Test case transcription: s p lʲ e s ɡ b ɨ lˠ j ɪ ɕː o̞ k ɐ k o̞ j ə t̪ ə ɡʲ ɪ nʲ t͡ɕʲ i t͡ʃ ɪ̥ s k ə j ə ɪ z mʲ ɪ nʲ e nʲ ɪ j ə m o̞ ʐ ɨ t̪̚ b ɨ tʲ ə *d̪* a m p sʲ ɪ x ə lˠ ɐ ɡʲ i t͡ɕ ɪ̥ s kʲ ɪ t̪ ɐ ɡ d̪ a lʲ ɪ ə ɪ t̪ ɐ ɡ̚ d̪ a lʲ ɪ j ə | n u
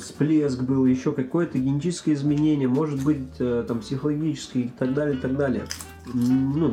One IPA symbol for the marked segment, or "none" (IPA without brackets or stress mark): t̪